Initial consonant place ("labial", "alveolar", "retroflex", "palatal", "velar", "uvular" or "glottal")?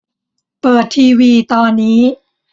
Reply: labial